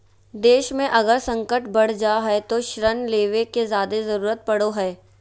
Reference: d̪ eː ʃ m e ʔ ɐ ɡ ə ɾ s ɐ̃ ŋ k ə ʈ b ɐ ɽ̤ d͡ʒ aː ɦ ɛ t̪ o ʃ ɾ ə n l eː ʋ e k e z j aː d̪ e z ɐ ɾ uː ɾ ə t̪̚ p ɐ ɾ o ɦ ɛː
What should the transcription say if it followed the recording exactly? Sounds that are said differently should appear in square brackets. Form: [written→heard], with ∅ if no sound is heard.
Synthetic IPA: d̪ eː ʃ m [e→ẽ] ʔ ɐ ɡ ə ɾ s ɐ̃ ŋ k ə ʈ b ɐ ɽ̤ d͡ʒ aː ɦ ɛ t̪ o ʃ ɾ ə n l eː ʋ e k e z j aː d̪ e z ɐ ɾ uː ɾ ə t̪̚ p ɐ [ɾ→ɽ] o ɦ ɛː

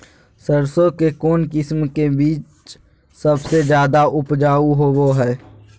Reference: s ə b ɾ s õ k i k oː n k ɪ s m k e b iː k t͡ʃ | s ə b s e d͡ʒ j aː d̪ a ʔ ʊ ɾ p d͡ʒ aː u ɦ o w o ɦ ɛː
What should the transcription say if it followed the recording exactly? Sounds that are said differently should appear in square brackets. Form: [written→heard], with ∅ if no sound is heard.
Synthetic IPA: s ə [b→∅] ɾ s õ k [i→e] k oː n k ɪ s m k e b iː [k→∅] t͡ʃ | s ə b s e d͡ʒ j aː d̪ a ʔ ʊ [ɾ→∅] p d͡ʒ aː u ɦ o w o ɦ ɛː

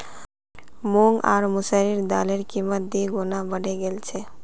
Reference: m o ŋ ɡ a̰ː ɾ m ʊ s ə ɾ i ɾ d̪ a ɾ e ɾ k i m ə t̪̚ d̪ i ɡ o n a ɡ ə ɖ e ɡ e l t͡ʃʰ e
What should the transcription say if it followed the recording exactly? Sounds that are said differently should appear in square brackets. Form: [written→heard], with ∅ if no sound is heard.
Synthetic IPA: m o ŋ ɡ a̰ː ɾ m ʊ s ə ɾ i ɾ d̪ a [ɾ→l] e ɾ k i m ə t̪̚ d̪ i ɡ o n a [ɡ→b] ə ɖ e ɡ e l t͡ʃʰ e

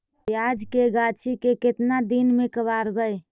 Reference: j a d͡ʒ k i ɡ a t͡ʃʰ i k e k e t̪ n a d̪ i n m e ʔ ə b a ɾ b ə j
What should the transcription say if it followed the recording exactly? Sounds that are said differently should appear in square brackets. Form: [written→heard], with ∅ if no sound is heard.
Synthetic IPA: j a d͡ʒ k [i→e] ɡ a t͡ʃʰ i k e k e t̪ n a d̪ i n m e [ʔ→k] ə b a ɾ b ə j

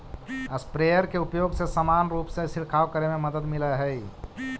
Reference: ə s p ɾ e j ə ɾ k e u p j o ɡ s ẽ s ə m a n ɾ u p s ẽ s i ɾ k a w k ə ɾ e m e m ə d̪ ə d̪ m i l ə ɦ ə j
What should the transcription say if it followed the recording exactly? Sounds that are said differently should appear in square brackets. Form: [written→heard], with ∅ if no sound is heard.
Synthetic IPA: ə s p ɾ e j ə ɾ k e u p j o ɡ s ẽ s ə m a n ɾ u p s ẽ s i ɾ [k→kʰ] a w k ə ɾ e m e m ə d̪ ə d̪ m i l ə ɦ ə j

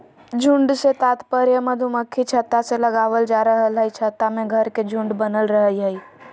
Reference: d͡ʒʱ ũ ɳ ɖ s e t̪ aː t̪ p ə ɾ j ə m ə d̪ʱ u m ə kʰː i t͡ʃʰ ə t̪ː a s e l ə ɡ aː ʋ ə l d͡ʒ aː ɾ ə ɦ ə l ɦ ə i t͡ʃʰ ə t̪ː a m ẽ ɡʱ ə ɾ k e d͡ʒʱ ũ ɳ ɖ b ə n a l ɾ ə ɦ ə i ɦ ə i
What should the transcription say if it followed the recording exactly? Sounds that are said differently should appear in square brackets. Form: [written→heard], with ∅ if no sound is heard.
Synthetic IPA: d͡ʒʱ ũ ɳ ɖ s e t̪ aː t̪ p ə ɾ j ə m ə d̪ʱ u m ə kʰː i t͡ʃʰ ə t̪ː a s e l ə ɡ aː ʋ ə l d͡ʒ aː ɾ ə ɦ ə l ɦ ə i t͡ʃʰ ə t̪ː a m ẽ ɡʱ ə ɾ k e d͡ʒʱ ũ ɳ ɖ b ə n [a→ə] l ɾ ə ɦ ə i ɦ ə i

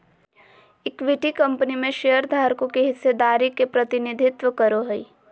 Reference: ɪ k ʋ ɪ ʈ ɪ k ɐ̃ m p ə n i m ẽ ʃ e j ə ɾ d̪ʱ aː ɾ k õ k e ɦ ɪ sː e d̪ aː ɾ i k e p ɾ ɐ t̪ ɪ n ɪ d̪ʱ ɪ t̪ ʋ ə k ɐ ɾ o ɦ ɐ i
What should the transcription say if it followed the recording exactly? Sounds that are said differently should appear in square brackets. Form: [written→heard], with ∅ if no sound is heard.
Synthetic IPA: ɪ k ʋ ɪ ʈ [ɪ→i] k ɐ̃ m p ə n i m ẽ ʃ e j ə ɾ d̪ʱ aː ɾ k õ k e ɦ ɪ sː e d̪ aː ɾ i k e p ɾ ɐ t̪ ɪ n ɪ d̪ʱ ɪ t̪ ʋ ə k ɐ ɾ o ɦ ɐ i

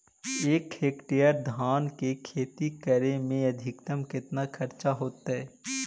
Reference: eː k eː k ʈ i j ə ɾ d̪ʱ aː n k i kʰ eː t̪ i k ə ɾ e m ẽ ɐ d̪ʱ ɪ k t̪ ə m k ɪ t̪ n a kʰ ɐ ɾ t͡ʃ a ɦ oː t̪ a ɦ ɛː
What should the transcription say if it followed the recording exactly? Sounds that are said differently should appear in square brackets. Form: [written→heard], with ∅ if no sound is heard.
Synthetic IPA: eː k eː k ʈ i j ə ɾ d̪ʱ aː n k [i→e] kʰ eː t̪ i k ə ɾ e m ẽ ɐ d̪ʱ ɪ k t̪ ə m k ɪ t̪ n a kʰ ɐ ɾ t͡ʃ a ɦ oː t̪ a ɦ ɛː

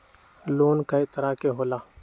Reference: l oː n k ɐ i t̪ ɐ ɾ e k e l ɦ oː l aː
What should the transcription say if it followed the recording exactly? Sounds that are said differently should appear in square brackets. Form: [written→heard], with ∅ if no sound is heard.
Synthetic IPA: l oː n k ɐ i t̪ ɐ ɾ [e→a] k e [l→∅] ɦ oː l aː

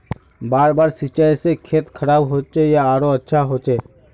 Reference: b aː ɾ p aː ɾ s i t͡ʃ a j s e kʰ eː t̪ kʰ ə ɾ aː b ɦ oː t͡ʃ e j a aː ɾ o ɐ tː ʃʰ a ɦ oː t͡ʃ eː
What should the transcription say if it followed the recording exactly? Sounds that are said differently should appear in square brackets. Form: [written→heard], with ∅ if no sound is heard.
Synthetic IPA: b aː ɾ [p→b] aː ɾ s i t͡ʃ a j s e kʰ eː t̪ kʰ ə ɾ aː b ɦ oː t͡ʃ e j a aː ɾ o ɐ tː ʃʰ a ɦ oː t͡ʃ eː

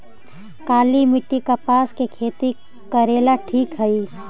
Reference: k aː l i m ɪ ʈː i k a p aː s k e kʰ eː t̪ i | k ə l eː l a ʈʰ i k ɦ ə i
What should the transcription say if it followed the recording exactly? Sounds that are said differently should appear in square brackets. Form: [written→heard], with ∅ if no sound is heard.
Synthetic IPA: k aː l i m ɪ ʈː i k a p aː s k e kʰ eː t̪ i | k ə [l→ɾ] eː l a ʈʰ [i→iː] k ɦ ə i

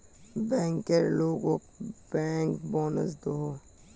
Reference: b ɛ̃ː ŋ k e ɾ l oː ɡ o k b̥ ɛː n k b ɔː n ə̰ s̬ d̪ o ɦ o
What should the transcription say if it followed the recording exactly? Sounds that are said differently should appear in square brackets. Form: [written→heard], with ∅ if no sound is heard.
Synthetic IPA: b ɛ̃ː ŋ k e ɾ l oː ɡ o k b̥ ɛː [n→ŋ] k b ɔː n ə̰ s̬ d̪ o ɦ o

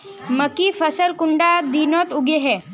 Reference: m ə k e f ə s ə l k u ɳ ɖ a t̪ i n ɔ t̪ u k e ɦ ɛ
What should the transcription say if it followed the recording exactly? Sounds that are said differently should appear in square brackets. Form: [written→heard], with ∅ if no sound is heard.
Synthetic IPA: m ə k [e→i] f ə s ə l k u ɳ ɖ a [t̪→d̪] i n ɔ t̪ u [k→ɡ] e ɦ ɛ

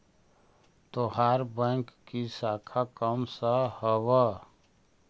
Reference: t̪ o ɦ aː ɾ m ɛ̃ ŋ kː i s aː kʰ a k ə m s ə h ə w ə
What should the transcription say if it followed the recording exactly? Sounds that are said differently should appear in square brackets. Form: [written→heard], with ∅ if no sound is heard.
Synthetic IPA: t̪ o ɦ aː ɾ [m→b] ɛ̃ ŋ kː i s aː kʰ a k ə m s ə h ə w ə

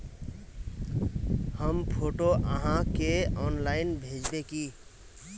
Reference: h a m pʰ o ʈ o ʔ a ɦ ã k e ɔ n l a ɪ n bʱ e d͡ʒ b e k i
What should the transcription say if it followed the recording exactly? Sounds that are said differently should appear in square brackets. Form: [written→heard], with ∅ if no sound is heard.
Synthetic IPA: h [a→ə] m pʰ o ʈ o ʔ [a→ə] ɦ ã k e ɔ n l a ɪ n bʱ e d͡ʒ b e k i

